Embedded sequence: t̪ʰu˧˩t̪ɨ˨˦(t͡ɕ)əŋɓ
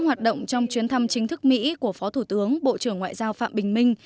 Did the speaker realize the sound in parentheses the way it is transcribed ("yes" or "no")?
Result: no